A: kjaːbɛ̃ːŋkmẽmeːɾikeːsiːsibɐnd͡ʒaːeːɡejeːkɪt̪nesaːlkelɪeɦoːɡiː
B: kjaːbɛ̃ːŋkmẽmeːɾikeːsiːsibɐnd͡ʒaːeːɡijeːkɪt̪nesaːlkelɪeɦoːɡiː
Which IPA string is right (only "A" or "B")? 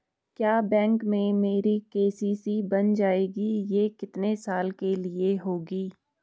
B